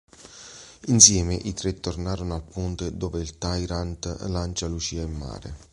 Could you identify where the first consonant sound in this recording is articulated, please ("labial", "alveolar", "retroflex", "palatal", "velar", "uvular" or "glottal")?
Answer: alveolar